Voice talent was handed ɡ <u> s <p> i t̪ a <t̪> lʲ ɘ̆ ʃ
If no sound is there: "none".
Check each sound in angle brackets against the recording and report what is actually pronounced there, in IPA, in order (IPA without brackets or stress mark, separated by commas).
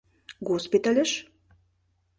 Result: o, p, none